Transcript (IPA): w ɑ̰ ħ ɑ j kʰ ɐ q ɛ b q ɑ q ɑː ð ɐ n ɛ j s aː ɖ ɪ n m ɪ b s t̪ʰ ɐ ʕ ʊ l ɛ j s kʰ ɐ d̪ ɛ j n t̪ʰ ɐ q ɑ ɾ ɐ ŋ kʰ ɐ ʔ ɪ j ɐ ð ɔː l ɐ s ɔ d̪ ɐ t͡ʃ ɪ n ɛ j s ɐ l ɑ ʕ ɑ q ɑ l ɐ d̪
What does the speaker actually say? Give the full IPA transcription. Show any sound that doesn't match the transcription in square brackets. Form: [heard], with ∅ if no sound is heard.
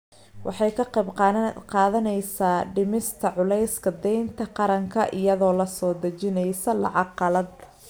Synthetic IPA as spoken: w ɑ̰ ħ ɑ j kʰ ɐ q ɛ b q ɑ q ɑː ð ɐ n ɛ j s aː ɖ ɪ [∅] m ɪ [∅] s t̪ʰ ɐ ʕ ʊ l ɛ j s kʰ ɐ d̪ ɛ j n t̪ʰ ɐ q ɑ ɾ ɐ ŋ kʰ ɐ ʔ ɪ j ɐ ð ɔː l ɐ s [ɔː] d̪ ɐ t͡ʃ ɪ n ɛ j s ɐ l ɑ ʕ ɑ q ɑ l ɐ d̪